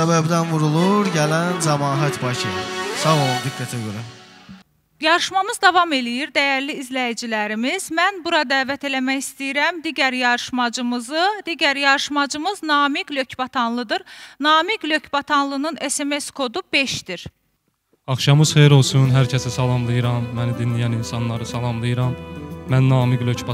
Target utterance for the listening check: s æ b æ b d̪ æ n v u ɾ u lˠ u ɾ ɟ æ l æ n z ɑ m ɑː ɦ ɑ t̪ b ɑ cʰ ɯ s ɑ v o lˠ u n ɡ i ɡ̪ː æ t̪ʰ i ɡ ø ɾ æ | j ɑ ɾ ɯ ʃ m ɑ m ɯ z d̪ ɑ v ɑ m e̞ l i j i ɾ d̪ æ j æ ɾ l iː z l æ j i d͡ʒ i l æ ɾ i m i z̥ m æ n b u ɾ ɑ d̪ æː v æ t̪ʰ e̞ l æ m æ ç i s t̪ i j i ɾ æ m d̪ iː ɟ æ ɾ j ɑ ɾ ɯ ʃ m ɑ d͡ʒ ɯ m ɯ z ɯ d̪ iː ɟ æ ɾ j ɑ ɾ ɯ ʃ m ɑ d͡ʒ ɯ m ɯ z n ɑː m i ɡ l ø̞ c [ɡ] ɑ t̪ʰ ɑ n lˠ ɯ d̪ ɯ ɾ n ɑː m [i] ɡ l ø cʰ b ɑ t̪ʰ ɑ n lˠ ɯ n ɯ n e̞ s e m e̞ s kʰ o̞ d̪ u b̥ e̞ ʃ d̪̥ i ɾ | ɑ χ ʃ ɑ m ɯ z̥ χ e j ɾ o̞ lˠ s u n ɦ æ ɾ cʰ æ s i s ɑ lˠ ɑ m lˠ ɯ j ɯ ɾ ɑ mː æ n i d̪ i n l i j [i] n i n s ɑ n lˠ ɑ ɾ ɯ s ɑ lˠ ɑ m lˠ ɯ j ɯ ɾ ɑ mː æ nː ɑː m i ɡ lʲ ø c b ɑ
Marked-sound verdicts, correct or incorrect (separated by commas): incorrect, correct, incorrect